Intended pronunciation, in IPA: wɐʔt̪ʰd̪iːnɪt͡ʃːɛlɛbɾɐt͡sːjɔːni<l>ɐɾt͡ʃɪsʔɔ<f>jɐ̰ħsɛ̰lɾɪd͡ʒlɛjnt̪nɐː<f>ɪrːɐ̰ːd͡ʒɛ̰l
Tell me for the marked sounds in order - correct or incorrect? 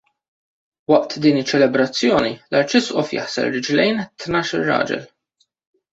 correct, correct, incorrect: ʃ

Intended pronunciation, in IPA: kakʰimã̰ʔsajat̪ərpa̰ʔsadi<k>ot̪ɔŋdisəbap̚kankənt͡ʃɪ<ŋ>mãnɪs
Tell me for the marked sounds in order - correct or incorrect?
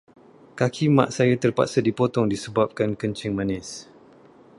incorrect: p, correct

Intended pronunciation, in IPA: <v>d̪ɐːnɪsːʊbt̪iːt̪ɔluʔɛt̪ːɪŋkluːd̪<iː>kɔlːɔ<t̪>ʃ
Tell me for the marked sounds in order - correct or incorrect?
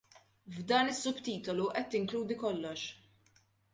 correct, incorrect: i, incorrect: none

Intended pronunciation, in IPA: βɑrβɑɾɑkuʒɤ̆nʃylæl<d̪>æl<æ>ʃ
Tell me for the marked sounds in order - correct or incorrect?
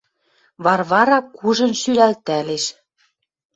incorrect: t̪, incorrect: e

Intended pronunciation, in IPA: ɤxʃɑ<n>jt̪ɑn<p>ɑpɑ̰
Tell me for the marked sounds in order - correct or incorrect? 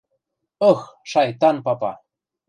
incorrect: none, correct

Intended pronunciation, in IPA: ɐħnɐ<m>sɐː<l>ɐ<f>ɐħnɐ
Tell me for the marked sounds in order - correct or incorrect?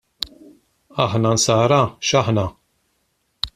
incorrect: n, incorrect: ɾ, incorrect: ʃ

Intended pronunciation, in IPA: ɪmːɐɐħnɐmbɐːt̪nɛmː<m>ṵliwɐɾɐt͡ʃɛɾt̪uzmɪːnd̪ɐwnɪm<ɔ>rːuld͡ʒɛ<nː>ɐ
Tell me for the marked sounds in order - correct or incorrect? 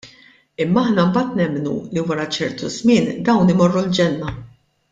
incorrect: n, correct, correct

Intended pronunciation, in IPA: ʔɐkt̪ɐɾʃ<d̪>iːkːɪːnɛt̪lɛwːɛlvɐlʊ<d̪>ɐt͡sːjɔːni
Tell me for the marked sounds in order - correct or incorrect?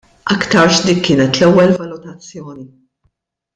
correct, incorrect: t̪

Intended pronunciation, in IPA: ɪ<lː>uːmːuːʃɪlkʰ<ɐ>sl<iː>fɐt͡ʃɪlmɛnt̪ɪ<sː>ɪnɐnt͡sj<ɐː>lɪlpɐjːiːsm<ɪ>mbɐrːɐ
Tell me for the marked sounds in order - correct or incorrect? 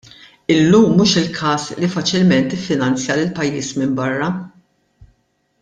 correct, incorrect: ɐː, incorrect: i, incorrect: fː, incorrect: ɐ, correct

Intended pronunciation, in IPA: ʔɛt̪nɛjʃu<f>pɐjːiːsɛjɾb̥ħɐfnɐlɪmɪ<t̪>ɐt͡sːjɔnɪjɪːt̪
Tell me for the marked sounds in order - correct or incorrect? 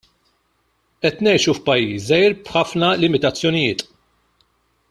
correct, correct

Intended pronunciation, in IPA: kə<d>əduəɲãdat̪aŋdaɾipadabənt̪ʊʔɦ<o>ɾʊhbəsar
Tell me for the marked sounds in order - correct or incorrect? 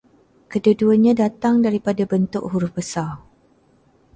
correct, incorrect: u

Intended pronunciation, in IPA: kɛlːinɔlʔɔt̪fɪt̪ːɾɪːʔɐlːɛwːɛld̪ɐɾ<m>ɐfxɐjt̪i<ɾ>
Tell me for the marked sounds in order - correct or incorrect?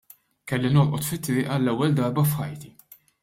incorrect: b, incorrect: none

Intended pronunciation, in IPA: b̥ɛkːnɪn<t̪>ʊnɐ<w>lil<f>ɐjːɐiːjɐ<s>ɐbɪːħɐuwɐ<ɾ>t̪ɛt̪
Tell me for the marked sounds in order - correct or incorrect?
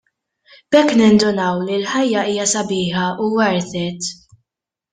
incorrect: d̪, correct, incorrect: ħ, correct, correct

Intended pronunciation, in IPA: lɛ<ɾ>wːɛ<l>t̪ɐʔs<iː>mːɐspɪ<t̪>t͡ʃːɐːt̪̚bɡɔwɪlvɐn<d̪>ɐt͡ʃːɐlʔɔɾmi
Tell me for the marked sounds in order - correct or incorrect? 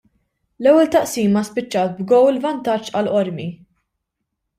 incorrect: none, correct, correct, incorrect: none, incorrect: t̪

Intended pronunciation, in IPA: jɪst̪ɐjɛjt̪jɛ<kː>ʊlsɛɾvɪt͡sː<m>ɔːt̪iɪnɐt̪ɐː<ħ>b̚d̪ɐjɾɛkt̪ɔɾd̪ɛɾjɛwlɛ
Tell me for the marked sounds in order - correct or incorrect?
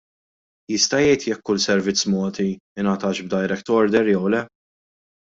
correct, correct, incorrect: ʃ

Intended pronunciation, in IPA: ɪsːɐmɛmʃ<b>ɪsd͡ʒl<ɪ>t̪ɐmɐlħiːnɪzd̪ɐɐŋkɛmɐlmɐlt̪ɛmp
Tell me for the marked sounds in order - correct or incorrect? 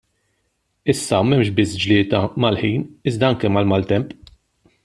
correct, incorrect: ɪː

